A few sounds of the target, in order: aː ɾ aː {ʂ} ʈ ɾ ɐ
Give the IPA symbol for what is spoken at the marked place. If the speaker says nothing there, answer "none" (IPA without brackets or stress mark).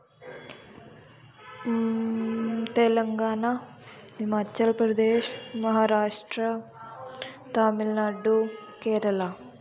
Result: ʂ